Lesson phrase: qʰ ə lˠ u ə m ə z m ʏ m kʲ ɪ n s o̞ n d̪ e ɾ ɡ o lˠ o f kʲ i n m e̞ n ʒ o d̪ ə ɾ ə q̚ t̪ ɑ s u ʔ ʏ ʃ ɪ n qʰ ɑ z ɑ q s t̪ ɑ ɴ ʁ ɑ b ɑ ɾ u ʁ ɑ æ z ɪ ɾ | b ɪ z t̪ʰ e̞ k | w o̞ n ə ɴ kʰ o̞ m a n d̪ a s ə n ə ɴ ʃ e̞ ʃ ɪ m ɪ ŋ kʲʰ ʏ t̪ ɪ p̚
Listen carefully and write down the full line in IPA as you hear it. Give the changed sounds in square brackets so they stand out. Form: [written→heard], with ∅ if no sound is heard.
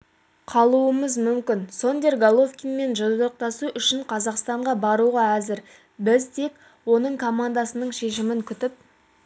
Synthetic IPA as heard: qʰ [ə→ɑ] lˠ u ə m ə z m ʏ m kʲ ɪ n s o̞ n d̪ e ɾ ɡ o lˠ o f kʲ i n m e̞ n ʒ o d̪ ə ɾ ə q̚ t̪ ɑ s u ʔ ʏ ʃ ɪ [n→ɴ] qʰ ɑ z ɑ q s t̪ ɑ ɴ ʁ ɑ b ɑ ɾ u ʁ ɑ æ z ɪ ɾ | b ɪ z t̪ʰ e̞ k | w o̞ n ə ɴ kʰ o̞ m a n d̪ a s ə n ə ɴ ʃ e̞ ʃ ɪ m ɪ ŋ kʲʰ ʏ t̪ ɪ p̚